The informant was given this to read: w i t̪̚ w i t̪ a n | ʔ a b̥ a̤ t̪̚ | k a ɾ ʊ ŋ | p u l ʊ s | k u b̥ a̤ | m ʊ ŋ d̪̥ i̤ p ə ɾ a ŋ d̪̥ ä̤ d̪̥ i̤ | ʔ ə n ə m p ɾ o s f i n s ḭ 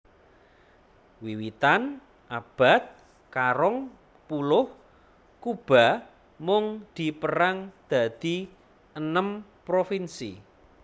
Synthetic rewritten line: w i w i t̪ a n | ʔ a b̥ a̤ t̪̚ | k a ɾ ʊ ŋ | p u l ʊ h | k u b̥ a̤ | m ʊ ŋ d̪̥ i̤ p ə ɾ a ŋ d̪̥ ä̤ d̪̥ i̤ | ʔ ə n ə m p ɾ o f i n s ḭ